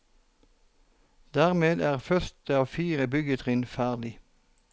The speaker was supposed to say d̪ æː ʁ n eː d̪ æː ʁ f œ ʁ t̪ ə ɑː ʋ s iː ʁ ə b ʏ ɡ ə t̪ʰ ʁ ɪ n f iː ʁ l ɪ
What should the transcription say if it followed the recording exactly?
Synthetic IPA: d̪ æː ʁ m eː d̪ æː ʁ f œ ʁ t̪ ə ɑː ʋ f iː ʁ ə b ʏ ɡ ə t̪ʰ ʁ ɪ n f æː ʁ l ɪ